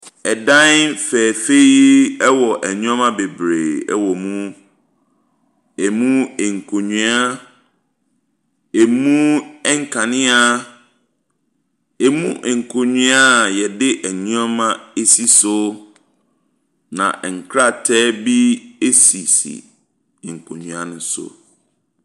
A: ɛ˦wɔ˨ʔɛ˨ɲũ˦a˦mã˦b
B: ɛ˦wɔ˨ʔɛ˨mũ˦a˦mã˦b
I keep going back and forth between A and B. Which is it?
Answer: A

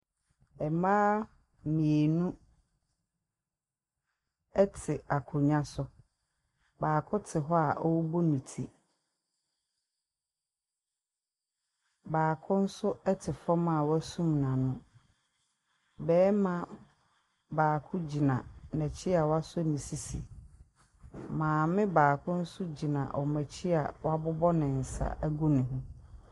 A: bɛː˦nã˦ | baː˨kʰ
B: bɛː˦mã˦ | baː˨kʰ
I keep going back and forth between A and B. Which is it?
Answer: B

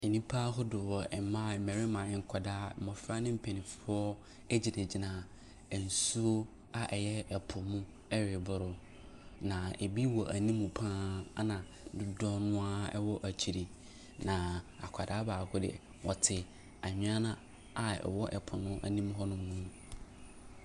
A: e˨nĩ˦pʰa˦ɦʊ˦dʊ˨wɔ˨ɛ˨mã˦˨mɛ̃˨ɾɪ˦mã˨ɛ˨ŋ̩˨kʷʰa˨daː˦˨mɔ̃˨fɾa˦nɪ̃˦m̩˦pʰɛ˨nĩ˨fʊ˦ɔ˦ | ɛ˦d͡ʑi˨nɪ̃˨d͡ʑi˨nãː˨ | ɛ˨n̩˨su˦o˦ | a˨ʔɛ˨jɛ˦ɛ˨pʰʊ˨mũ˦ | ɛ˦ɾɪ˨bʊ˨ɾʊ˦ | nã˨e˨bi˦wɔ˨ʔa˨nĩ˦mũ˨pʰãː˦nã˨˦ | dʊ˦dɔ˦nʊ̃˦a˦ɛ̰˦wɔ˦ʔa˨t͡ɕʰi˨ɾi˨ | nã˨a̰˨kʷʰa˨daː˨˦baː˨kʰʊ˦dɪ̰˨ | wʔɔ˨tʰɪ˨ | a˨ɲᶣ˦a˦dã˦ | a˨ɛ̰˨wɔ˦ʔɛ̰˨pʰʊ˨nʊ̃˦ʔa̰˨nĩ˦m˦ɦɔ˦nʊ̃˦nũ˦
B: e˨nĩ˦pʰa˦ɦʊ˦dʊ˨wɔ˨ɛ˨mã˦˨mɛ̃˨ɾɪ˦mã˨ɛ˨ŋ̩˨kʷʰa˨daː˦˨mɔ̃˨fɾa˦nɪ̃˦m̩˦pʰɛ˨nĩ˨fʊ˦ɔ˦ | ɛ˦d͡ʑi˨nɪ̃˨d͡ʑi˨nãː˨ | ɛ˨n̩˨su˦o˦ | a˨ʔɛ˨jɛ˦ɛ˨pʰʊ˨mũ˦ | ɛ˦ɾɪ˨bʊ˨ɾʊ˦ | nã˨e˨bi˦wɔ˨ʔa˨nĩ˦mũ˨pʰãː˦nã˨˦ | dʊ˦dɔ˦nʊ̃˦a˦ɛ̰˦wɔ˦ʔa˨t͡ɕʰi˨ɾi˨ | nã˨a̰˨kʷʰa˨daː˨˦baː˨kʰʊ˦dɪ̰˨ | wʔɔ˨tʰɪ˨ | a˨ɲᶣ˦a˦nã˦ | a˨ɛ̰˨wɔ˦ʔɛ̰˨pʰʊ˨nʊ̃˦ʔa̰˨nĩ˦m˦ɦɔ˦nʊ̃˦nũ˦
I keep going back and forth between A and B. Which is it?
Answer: B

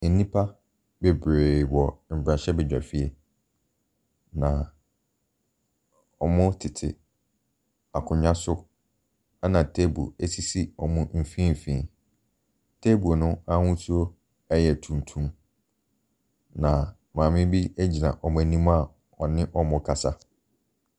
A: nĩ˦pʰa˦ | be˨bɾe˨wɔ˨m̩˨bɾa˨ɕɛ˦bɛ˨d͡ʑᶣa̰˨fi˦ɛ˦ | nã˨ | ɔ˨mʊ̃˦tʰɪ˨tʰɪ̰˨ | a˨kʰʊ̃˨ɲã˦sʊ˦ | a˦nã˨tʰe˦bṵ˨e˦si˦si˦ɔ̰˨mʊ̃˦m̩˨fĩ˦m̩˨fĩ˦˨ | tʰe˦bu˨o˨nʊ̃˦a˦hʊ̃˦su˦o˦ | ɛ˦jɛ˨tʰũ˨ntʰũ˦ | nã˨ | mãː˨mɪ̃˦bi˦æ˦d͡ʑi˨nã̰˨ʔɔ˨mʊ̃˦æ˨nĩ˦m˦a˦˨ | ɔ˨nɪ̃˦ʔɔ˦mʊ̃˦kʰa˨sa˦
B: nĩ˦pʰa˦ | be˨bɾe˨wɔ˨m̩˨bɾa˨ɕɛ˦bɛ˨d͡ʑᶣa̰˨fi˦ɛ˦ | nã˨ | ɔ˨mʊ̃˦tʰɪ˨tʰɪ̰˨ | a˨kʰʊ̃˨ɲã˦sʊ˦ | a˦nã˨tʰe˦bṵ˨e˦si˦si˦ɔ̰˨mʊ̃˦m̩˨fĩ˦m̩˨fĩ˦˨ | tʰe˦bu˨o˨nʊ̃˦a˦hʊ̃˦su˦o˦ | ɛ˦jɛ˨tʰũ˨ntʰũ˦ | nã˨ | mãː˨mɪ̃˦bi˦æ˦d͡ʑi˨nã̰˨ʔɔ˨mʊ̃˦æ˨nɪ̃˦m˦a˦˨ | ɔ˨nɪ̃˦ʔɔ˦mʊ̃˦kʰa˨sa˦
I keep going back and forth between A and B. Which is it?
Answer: A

